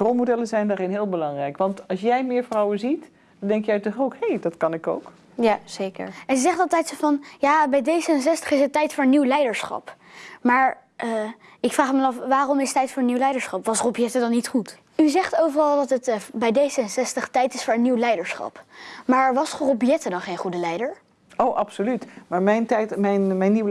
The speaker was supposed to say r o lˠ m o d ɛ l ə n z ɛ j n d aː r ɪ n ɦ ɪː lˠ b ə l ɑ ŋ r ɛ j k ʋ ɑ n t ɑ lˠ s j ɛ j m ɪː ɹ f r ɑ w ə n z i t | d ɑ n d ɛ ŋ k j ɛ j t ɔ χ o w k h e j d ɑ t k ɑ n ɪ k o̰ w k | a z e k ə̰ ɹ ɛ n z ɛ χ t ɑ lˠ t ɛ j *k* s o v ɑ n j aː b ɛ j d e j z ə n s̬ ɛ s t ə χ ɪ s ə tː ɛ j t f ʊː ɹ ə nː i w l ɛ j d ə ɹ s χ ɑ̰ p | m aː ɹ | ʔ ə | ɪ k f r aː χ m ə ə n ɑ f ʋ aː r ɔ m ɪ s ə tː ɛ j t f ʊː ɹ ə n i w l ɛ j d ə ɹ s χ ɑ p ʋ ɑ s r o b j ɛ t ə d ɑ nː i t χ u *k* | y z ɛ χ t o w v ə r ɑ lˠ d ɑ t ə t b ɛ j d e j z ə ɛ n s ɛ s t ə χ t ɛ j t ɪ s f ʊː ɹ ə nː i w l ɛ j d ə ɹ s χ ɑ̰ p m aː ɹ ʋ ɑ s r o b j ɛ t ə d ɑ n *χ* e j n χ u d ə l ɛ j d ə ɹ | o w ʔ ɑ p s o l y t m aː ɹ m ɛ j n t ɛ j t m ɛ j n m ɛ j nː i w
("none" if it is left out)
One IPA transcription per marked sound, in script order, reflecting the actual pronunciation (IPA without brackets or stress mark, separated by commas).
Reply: t, t, χ